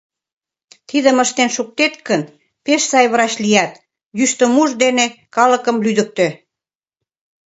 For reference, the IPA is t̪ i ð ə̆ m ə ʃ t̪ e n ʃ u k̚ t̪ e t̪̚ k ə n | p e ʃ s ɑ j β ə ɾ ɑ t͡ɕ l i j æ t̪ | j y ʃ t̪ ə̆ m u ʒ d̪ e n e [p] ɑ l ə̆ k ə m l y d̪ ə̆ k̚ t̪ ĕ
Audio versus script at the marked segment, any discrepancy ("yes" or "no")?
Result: yes